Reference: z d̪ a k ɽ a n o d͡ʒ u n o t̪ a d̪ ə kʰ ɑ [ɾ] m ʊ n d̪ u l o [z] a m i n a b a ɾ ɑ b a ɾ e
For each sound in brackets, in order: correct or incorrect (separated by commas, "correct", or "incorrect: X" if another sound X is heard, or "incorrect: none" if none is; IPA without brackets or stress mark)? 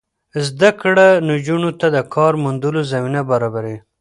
correct, correct